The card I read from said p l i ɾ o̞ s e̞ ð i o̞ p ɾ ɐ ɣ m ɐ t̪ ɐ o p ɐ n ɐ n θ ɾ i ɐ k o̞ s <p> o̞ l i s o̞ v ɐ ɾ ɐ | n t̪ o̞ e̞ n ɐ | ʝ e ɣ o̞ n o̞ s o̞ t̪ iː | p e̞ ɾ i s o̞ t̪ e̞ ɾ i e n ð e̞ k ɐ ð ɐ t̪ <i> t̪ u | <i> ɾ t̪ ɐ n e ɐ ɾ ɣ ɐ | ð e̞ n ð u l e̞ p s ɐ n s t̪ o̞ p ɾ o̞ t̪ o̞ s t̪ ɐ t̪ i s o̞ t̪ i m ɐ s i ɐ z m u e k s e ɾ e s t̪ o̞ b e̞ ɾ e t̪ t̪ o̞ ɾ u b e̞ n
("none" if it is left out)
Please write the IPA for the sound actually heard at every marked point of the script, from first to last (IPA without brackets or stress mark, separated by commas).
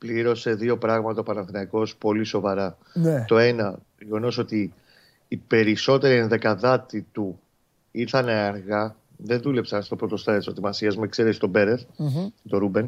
p, i, i